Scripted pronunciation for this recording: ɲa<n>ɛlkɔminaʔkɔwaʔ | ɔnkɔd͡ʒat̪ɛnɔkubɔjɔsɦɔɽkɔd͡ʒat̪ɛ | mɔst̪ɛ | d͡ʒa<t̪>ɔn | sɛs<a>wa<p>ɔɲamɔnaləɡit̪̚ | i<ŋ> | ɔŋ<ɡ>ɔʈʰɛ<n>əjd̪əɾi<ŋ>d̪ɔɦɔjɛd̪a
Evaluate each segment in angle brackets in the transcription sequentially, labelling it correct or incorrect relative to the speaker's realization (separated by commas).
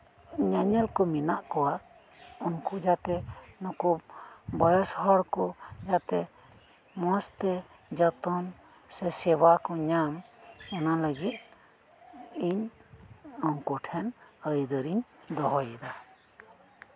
incorrect, correct, incorrect, incorrect, incorrect, incorrect, correct, incorrect